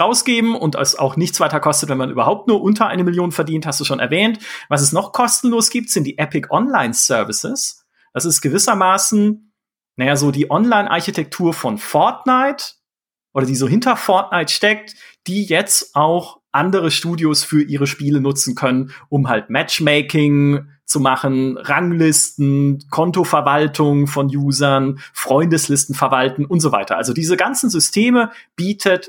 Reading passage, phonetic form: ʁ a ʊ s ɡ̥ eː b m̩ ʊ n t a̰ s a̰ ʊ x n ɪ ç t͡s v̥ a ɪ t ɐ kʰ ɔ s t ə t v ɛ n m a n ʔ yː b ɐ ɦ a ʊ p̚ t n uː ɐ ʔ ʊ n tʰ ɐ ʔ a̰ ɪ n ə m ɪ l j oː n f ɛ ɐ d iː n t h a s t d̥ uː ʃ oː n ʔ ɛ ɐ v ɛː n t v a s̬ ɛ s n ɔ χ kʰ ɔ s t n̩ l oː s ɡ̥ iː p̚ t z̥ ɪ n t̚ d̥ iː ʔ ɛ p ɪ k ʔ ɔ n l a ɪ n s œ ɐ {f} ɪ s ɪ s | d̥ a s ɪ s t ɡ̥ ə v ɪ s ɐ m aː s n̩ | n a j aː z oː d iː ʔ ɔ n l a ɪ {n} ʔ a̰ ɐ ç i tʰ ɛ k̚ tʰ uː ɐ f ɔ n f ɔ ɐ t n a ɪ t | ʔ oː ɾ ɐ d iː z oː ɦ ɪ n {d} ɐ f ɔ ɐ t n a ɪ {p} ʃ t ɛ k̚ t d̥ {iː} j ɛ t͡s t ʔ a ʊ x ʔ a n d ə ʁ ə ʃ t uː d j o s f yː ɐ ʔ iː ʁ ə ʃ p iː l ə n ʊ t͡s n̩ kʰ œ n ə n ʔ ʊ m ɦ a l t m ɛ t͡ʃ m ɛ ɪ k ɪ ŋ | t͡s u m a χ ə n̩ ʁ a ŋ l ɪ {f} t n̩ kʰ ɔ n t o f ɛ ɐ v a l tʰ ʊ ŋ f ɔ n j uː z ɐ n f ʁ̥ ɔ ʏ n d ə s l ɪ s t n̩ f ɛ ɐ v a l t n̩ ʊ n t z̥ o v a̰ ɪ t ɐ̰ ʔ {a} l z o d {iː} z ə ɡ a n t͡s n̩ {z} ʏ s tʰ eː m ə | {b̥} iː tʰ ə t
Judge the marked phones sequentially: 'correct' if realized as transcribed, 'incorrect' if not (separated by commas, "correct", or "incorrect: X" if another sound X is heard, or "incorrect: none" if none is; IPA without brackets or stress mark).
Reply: incorrect: v, correct, incorrect: t, incorrect: t, correct, incorrect: s, correct, correct, correct, correct